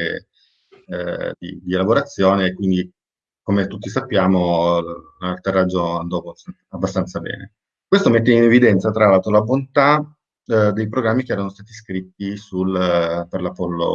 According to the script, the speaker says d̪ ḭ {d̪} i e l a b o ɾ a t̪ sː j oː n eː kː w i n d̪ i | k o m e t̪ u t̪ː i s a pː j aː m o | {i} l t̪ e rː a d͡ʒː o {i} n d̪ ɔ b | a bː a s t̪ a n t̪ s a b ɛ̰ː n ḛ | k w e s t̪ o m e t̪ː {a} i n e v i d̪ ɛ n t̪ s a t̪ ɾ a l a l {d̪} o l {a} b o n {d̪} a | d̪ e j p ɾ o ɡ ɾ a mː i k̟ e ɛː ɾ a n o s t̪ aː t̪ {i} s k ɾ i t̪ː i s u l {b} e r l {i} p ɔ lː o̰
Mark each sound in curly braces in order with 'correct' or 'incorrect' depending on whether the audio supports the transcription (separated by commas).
correct, incorrect, incorrect, incorrect, incorrect, correct, incorrect, correct, incorrect, incorrect